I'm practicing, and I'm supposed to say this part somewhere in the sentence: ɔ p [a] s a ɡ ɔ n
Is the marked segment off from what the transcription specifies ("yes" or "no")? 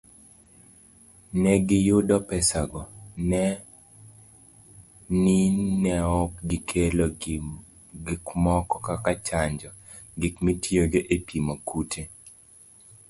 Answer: yes